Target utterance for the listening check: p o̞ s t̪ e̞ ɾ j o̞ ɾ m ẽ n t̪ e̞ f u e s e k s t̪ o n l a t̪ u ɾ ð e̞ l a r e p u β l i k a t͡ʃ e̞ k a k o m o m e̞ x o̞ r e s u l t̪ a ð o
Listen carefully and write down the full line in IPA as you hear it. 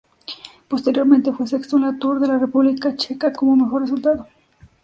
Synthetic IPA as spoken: p o̞ s t̪ e̞ ɾ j o̞ ɾ m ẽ n t̪ e̞ f w e s e k s t̪ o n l a t̪ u ɾ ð e̞ l a r e p u β l i k a t͡ʃ e̞ k a k o m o m e̞ x o̞ r e s u l t̪ a ð o